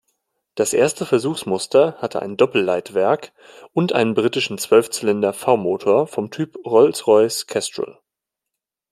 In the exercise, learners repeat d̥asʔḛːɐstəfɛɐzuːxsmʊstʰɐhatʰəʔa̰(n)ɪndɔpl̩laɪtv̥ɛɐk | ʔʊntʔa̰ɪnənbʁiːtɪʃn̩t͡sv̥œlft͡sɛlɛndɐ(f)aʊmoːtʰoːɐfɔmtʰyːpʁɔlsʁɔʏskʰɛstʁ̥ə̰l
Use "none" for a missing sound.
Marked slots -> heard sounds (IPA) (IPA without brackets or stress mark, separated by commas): none, f